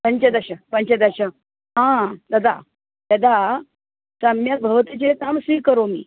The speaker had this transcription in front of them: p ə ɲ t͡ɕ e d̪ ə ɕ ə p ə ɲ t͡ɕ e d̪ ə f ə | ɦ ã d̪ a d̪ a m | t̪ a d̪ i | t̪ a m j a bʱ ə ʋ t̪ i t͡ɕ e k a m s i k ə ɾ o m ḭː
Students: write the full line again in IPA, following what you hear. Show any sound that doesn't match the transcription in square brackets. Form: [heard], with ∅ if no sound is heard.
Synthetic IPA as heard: p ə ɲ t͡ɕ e d̪ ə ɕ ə p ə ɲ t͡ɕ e d̪ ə [ɕ] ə | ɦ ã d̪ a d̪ a [∅] | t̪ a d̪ [a] | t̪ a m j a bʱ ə ʋ t̪ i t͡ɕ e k a m s i k ə ɾ o m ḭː